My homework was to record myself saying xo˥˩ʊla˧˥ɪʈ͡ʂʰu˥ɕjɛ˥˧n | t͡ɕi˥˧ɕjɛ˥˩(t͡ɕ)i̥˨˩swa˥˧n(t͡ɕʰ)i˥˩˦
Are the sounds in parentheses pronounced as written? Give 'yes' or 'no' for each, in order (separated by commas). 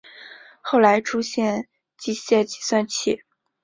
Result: yes, yes